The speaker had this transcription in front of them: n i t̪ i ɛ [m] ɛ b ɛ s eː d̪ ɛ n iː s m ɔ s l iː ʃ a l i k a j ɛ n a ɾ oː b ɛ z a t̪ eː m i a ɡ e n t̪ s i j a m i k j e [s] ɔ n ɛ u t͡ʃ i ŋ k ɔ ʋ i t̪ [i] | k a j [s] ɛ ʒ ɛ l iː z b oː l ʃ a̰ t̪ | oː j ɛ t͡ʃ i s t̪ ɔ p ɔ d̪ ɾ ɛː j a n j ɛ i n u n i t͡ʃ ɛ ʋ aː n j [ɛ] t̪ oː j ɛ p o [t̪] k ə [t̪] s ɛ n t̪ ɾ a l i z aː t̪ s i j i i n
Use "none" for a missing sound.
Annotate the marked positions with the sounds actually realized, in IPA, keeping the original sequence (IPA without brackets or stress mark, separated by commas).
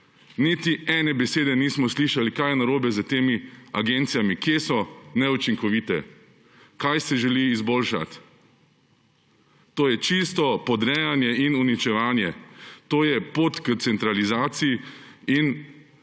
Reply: n, s, ɛ, s, ɛ, t̪, t̪